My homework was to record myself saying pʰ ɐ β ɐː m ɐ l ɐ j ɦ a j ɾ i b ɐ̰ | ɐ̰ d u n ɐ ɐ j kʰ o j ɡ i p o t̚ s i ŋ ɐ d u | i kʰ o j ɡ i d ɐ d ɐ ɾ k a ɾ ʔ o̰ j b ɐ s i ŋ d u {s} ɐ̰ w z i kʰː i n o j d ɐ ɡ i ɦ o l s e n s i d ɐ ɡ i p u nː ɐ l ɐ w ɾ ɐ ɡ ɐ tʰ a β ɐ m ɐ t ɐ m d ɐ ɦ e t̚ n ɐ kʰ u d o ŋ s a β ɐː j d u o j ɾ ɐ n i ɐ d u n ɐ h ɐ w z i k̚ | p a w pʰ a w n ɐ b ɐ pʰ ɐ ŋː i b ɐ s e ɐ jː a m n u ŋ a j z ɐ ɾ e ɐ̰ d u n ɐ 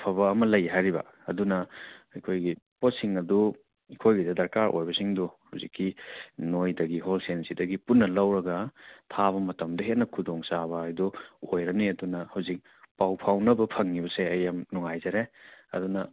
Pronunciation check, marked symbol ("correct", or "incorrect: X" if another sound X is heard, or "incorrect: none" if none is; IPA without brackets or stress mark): incorrect: h